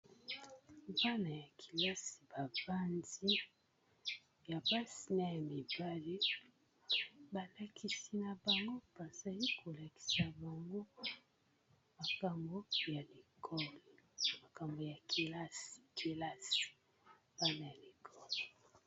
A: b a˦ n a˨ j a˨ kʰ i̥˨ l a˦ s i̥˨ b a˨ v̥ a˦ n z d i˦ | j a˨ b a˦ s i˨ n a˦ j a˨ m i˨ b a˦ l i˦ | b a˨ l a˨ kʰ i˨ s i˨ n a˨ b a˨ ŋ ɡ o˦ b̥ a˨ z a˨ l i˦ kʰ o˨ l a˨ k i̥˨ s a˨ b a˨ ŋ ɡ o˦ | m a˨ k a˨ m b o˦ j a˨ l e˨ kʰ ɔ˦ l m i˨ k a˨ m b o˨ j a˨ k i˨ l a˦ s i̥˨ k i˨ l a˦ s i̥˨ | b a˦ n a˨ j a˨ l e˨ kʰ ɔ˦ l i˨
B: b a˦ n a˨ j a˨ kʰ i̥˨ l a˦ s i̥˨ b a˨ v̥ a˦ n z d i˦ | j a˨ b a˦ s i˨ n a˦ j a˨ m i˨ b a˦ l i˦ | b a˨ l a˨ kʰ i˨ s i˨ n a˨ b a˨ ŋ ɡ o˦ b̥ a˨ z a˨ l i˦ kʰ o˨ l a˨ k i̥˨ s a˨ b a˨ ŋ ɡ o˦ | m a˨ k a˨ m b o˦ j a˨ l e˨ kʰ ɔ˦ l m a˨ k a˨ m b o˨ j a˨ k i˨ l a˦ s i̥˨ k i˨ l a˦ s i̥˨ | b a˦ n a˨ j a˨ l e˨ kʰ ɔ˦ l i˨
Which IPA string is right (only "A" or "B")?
B